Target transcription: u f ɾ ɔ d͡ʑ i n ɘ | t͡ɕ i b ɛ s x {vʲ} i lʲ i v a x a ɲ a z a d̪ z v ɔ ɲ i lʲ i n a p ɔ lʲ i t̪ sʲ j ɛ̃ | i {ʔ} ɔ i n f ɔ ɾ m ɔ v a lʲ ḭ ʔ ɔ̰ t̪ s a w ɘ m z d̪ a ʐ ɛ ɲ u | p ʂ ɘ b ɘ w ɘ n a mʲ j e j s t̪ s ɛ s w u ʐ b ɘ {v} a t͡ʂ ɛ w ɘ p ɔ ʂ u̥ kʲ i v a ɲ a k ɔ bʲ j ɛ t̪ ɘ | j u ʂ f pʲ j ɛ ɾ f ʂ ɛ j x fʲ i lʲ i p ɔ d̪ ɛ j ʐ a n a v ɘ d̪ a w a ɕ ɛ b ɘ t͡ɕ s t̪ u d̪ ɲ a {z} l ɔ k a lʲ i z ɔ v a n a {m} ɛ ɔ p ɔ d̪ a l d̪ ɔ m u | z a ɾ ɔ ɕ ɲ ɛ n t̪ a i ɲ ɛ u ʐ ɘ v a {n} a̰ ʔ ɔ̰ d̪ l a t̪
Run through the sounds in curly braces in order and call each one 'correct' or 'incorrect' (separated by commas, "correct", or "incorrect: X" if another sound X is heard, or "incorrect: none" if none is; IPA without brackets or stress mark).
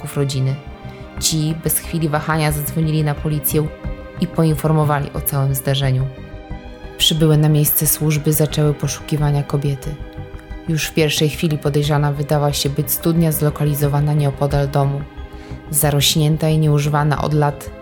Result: incorrect: fʲ, incorrect: p, incorrect: z, correct, incorrect: ɲ, correct